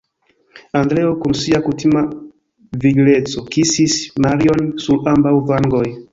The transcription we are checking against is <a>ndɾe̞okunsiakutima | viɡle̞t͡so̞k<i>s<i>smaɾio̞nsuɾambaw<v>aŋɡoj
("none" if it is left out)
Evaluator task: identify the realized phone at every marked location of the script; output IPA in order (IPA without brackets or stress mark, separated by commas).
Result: a, i, i, v